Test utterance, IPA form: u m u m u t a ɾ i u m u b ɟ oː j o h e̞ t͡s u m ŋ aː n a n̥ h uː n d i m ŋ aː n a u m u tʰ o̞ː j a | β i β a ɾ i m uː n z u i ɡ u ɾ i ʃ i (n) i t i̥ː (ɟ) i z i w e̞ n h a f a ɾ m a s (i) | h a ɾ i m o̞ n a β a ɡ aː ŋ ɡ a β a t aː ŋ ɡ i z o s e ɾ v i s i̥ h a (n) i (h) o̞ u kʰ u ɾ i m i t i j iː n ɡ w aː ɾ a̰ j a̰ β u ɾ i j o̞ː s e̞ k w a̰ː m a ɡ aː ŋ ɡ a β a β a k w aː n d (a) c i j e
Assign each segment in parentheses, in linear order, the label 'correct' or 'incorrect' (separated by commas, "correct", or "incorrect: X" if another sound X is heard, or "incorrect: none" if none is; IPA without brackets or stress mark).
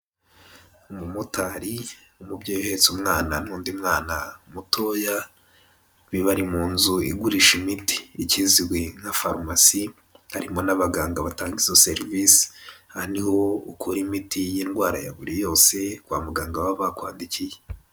incorrect: m, incorrect: c, correct, correct, correct, incorrect: i